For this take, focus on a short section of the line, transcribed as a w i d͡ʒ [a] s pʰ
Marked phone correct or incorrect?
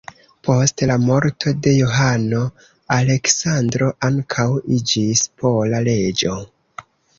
incorrect